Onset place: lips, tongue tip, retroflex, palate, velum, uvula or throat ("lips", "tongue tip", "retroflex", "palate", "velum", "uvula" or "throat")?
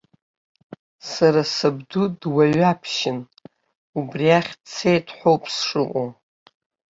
tongue tip